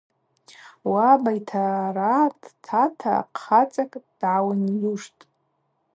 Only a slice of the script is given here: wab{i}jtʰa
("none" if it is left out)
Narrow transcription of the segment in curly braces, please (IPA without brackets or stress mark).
a